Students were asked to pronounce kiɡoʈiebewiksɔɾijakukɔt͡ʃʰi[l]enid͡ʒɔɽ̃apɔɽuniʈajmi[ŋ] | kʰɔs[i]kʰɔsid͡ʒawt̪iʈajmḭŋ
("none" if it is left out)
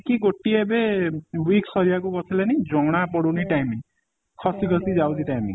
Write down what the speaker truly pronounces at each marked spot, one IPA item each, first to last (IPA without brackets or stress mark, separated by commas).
l, ŋ, i